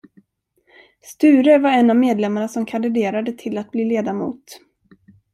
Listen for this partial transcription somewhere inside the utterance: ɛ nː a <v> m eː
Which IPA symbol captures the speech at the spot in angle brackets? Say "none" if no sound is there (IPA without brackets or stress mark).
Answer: v